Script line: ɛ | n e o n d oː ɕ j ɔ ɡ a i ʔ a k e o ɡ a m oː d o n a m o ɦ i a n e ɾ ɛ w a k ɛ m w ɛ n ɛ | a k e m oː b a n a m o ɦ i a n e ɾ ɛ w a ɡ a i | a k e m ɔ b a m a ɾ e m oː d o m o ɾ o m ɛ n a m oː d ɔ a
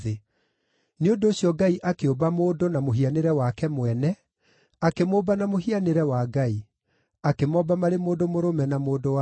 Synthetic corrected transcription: e | n e o n d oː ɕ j ɔ ɡ a i ʔ a k e o b a m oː d o n a m o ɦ i a n e ɾ ɛ w a k ɛ m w ɛ n ɛ | a k e m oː b a n a m o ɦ i a n e ɾ ɛ w a ɡ a i | a k e m ɔ b a m a ɾ e m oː d o m o ɾ o m ɛ n a m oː d o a